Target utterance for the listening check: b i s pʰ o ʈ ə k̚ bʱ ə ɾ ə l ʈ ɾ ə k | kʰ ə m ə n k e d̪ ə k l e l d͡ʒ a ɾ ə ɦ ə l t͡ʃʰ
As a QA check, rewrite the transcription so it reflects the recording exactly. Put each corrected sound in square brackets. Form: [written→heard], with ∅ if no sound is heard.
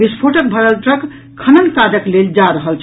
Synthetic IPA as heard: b i s pʰ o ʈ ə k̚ bʱ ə ɾ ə l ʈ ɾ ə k | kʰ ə [m→n] ə n k [e→a] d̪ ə k l e l d͡ʒ a ɾ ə ɦ ə l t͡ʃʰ